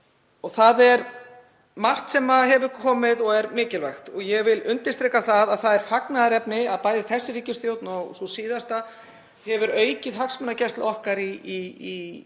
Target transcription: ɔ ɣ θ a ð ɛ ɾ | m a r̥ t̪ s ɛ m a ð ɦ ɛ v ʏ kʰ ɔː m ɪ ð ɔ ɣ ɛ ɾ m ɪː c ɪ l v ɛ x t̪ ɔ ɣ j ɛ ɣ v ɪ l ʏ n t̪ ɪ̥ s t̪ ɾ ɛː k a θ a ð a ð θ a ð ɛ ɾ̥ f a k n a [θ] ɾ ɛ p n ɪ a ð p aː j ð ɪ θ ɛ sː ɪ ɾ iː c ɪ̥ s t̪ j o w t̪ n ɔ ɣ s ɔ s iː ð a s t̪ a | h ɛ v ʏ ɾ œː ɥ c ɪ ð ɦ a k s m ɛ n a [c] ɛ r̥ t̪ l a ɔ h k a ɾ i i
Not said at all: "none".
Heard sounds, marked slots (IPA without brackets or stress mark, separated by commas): ð, c